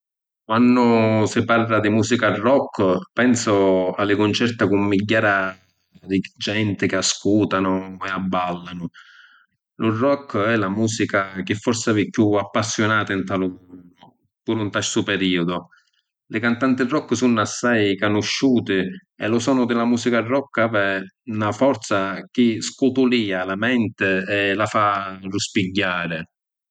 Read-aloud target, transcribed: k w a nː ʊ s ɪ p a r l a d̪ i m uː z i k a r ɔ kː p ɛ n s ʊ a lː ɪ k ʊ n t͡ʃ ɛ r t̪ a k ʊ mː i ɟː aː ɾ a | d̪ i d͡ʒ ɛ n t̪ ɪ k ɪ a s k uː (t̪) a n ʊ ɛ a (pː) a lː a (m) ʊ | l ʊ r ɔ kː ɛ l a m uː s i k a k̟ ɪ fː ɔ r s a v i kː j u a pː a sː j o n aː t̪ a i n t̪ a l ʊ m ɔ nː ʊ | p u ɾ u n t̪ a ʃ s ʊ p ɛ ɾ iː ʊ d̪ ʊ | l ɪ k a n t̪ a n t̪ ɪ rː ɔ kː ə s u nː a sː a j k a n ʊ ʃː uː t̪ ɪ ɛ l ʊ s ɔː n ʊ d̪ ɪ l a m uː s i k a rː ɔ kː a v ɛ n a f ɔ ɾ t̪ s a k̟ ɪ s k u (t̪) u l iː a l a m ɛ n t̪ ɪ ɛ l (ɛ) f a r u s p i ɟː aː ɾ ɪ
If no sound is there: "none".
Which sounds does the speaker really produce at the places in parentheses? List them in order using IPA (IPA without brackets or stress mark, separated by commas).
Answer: t̪, bː, n, t̪, a